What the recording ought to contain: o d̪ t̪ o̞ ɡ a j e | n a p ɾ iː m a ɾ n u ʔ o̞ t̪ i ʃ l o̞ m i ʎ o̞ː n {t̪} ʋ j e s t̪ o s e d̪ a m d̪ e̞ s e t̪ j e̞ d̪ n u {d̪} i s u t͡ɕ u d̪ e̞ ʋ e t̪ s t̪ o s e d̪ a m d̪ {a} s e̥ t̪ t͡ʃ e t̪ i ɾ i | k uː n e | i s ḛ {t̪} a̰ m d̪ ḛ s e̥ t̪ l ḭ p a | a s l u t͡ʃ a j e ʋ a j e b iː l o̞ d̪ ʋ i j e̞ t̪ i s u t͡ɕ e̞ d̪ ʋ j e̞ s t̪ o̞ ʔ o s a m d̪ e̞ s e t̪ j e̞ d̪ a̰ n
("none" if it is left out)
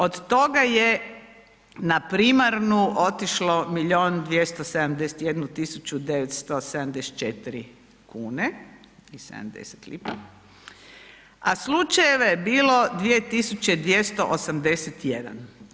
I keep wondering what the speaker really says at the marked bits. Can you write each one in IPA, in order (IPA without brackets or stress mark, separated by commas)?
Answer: d̪, t̪, e, d̪